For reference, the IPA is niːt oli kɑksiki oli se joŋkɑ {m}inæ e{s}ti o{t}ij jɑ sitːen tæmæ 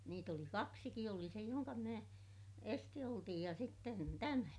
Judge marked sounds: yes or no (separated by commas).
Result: yes, yes, yes